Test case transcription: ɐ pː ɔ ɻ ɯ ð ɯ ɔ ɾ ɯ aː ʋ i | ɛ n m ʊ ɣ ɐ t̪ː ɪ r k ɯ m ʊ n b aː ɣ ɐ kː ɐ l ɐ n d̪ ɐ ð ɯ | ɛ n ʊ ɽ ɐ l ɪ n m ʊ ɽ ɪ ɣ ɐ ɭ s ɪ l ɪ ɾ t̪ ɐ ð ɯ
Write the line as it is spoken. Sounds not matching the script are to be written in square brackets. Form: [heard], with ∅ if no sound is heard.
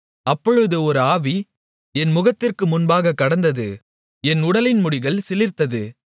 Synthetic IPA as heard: ɐ pː ɔ ɻ ɯ ð ɯ ɔ ɾ ɯ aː ʋ i | ɛ n m ʊ ɣ ɐ t̪ː ɪ r k ɯ m ʊ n b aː ɣ ɐ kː ɐ [ɽ] ɐ n d̪ ɐ ð ɯ | ɛ n ʊ ɽ ɐ l ɪ n m ʊ ɽ ɪ ɣ ɐ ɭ s ɪ l ɪ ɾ t̪ ɐ ð ɯ